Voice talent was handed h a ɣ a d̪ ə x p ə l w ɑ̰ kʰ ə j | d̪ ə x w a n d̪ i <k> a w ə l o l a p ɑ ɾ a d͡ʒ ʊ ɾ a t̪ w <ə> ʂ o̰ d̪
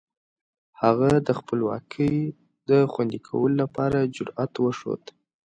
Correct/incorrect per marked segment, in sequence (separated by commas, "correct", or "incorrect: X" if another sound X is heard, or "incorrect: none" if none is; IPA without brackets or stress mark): incorrect: kʰ, correct